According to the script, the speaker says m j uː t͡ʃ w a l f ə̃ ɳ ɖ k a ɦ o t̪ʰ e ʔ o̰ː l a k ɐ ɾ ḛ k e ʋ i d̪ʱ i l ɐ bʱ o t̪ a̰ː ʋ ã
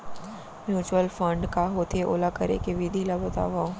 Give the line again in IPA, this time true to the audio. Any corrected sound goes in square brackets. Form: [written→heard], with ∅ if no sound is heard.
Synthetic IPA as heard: m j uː t͡ʃ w [a→ə] l f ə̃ ɳ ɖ k a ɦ o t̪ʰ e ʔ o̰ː l a k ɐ ɾ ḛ k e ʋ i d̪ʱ i l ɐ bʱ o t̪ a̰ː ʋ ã

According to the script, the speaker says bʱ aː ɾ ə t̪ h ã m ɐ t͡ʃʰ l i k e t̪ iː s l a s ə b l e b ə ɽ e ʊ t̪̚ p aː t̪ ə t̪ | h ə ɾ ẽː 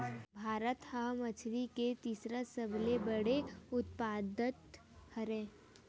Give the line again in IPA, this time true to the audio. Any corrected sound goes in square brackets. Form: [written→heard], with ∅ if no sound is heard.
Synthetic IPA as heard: bʱ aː ɾ ə t̪ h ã m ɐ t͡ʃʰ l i k e t̪ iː s [l→ɾ] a s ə b l e b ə ɽ e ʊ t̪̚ p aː [t̪→d̪] ə t̪ | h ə ɾ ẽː

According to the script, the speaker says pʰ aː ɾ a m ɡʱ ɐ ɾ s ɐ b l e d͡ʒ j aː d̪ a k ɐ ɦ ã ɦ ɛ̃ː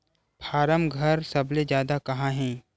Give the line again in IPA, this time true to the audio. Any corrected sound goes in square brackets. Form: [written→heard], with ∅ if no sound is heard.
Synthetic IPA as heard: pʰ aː ɾ [a→ə] m ɡʱ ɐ ɾ s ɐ b l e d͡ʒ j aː d̪ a k ɐ ɦ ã ɦ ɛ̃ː

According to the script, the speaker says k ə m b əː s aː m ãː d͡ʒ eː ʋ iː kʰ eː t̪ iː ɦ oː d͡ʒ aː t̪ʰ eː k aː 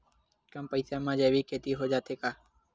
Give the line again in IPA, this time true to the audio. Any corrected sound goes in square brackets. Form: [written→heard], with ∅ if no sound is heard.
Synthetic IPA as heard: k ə m [b→p] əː s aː m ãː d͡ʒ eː ʋ iː kʰ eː t̪ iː ɦ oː d͡ʒ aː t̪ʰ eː k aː

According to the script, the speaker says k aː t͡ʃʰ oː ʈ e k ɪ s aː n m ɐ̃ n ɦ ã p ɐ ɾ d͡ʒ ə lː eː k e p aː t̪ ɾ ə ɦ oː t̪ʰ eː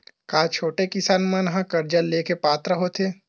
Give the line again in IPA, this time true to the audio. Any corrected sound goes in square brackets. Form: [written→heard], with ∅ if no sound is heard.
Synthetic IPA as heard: k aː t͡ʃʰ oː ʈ e k ɪ s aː n m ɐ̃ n ɦ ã [p→k] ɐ ɾ d͡ʒ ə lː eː k e p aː t̪ ɾ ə ɦ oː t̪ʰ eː

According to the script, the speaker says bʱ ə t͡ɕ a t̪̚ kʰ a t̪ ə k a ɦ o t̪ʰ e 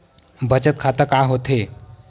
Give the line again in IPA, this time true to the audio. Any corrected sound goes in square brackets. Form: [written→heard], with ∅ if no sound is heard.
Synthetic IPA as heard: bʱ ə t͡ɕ [a→ə] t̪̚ kʰ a t̪ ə k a ɦ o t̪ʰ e

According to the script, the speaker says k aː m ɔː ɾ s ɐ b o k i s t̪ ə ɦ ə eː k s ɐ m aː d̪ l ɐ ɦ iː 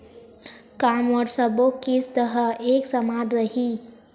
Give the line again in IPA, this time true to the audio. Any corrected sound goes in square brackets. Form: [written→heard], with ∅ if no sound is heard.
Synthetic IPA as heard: k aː m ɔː ɾ s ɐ b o k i s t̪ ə ɦ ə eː k s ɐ m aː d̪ [l→ɾ] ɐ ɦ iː

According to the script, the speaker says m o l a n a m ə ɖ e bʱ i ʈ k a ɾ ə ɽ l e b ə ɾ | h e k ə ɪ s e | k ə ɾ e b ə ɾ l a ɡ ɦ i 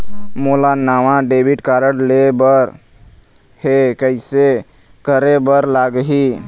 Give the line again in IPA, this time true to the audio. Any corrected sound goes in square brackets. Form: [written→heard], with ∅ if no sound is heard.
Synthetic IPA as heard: m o l a n a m [ə→a] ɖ e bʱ i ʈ k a ɾ ə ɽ l e b ə ɾ | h e k ə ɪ s e | k ə ɾ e b ə ɾ l a ɡ ɦ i

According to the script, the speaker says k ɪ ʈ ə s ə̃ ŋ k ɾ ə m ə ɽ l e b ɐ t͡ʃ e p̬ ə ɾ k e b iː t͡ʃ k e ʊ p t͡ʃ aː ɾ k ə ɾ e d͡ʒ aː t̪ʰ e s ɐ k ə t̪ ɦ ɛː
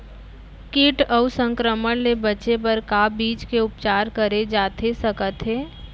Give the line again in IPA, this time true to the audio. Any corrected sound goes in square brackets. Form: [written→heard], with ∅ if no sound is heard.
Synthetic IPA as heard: k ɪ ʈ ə s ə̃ ŋ k ɾ ə m ə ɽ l e b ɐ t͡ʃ e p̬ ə ɾ k [e→a] b iː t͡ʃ k e ʊ p t͡ʃ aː ɾ k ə ɾ e d͡ʒ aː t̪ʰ e s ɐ k ə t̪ ɦ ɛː

